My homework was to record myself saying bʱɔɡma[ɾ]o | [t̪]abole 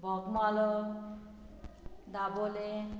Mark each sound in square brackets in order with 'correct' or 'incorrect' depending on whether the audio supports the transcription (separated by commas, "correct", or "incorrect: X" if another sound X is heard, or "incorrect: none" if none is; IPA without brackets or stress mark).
incorrect: l, incorrect: d̪